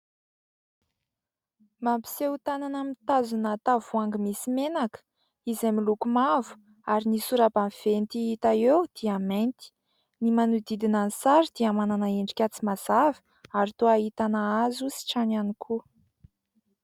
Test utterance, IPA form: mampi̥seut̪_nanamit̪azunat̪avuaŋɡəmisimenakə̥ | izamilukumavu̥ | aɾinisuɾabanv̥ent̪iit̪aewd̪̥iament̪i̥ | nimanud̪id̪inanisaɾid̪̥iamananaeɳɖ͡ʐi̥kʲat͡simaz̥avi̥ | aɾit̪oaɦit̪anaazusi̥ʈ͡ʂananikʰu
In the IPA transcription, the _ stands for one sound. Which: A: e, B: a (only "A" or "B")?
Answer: B